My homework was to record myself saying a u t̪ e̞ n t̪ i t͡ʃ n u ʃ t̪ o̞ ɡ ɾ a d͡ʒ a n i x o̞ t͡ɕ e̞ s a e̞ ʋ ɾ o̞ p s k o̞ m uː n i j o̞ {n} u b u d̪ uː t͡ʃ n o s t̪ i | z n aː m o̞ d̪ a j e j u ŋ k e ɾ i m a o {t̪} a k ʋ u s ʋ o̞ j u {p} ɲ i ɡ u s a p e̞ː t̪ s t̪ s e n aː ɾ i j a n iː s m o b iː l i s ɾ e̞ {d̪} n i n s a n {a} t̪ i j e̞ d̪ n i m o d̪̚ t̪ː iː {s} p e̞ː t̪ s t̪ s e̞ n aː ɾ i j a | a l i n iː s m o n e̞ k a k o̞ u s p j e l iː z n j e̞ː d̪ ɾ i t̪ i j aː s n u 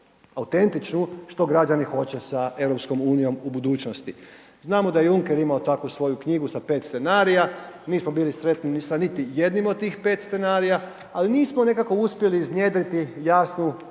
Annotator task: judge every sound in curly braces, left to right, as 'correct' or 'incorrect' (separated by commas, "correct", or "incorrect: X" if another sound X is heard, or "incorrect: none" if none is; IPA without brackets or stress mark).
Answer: incorrect: m, correct, incorrect: k, incorrect: t̪, incorrect: i, incorrect: x